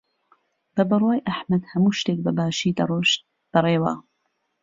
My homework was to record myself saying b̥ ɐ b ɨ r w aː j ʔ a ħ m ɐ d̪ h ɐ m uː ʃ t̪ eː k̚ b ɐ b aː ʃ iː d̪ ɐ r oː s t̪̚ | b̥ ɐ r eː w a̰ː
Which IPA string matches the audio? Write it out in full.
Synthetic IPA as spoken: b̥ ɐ b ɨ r w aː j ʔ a ħ m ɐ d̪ h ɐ m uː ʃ t̪ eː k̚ b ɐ b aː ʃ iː d̪ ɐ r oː ʃ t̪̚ | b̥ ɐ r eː w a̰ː